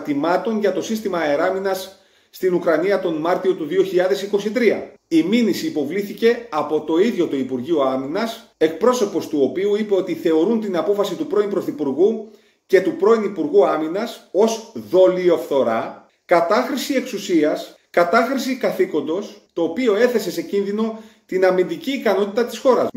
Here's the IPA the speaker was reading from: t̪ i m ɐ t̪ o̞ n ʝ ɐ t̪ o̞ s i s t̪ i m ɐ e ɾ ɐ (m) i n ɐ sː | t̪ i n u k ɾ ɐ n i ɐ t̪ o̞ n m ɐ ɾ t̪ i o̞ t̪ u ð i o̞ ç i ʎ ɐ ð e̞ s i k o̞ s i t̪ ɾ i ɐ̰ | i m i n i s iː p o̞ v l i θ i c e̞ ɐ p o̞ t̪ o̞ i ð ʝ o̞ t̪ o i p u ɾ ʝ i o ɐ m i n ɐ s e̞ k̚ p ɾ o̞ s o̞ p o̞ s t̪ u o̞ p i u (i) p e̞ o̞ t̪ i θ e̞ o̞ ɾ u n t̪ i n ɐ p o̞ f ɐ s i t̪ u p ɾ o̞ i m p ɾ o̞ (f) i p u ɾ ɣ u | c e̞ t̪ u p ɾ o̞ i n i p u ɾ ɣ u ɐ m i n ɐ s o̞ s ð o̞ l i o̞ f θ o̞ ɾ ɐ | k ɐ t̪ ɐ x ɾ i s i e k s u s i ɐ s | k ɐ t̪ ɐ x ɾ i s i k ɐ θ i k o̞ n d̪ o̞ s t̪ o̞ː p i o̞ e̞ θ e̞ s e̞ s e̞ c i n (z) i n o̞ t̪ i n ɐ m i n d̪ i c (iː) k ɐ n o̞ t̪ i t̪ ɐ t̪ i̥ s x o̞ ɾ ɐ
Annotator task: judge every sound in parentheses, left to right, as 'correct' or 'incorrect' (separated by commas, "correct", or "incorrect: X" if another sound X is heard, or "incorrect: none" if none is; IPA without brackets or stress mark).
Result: correct, correct, incorrect: θ, incorrect: ð, correct